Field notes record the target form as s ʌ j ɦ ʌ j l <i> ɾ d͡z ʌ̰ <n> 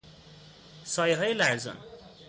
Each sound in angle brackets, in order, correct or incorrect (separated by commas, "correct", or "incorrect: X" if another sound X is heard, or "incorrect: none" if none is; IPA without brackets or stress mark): incorrect: a, correct